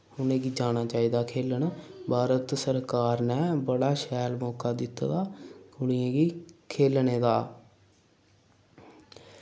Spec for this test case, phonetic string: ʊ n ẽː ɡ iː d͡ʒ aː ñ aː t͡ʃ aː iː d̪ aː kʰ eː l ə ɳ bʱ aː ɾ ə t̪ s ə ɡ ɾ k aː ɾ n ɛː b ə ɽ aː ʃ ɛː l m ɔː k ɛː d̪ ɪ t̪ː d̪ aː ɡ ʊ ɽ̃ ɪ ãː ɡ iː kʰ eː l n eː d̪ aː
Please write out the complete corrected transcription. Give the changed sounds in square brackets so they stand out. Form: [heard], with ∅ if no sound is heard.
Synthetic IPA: ʊ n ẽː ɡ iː d͡ʒ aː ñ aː t͡ʃ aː iː d̪ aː kʰ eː l ə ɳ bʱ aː ɾ ə t̪ s ə [∅] ɾ k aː ɾ n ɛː b ə ɽ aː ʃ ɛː l m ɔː k [aː] d̪ ɪ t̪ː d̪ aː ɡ ʊ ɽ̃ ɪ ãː ɡ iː kʰ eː l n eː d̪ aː